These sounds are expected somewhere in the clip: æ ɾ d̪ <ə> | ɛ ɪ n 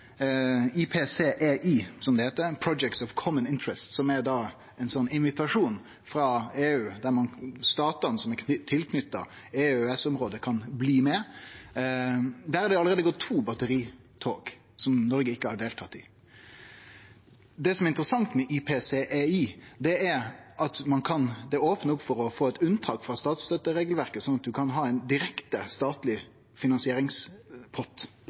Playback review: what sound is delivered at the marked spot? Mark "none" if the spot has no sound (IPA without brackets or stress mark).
ɑ